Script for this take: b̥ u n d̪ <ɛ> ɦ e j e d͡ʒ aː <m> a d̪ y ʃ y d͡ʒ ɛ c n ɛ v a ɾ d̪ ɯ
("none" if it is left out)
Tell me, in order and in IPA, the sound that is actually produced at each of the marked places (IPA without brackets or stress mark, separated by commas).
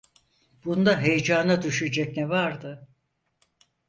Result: a, n